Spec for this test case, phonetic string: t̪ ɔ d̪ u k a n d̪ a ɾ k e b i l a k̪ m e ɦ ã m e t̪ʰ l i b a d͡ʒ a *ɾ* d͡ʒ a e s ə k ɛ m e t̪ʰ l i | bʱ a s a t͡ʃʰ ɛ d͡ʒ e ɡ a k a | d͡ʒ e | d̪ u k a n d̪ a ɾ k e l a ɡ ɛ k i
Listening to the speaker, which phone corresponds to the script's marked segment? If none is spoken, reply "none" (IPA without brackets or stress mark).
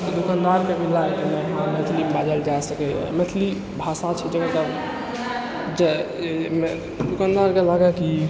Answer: l